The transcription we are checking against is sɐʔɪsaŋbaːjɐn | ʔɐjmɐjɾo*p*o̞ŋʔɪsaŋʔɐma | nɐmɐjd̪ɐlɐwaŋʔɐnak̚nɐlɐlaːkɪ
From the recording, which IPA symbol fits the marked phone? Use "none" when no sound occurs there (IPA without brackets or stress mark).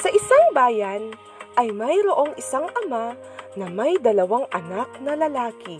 ʔ